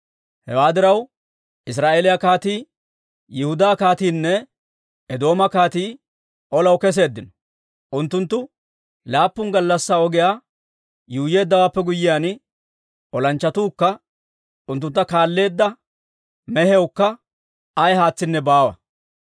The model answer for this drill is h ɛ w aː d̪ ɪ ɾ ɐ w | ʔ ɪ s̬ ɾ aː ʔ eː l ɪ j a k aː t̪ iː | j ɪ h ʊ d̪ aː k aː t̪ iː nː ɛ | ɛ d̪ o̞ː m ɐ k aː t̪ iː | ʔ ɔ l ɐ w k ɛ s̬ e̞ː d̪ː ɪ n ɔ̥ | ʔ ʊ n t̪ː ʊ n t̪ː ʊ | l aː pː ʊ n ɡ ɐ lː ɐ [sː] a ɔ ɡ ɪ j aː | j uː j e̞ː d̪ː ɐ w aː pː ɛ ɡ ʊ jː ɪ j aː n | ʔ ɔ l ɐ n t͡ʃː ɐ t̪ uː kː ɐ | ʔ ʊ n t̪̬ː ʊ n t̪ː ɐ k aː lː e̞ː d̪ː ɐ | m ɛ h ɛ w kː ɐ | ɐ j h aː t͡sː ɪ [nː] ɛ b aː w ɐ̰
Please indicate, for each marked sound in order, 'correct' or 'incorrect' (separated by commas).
correct, correct